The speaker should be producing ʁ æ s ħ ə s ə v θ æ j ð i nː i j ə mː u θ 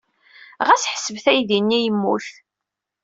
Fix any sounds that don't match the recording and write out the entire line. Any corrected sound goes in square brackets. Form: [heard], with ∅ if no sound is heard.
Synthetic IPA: ʁ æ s ħ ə s ə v θ æ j ð i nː i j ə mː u θ